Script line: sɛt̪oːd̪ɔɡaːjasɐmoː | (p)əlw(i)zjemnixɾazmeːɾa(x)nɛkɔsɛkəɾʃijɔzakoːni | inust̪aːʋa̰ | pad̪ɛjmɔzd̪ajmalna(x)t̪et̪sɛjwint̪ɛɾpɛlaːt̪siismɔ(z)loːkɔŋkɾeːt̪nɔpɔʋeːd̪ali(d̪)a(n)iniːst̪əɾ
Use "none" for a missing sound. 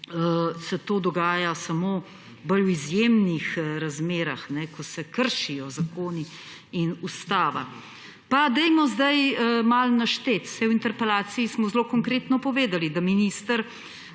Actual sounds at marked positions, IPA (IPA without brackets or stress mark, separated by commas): b, i, x, ʃ, z, d̪, m